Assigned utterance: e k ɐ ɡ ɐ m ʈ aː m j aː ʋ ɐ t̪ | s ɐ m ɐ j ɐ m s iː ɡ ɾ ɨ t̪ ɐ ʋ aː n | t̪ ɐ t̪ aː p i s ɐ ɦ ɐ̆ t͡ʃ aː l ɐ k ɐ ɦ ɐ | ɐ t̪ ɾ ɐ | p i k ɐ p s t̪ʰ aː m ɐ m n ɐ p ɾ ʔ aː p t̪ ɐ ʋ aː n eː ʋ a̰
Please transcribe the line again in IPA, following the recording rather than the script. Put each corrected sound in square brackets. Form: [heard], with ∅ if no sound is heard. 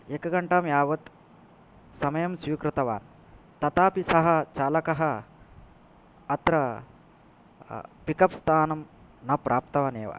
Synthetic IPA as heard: e k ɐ ɡ ɐ [ɳ] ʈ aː m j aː ʋ ɐ t̪ | s ɐ m ɐ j ɐ m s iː [k] ɾ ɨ t̪ ɐ ʋ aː n | t̪ ɐ t̪ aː p i s ɐ ɦ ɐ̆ t͡ʃ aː l ɐ k ɐ ɦ ɐ | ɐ t̪ ɾ ɐ | p i k ɐ p s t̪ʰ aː [n] ɐ m n ɐ p ɾ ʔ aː p t̪ ɐ ʋ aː n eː ʋ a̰